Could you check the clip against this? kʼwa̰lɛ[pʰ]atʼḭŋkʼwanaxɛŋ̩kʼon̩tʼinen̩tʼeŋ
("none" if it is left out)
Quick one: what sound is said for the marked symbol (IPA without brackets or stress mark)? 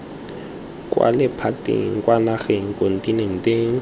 pʰ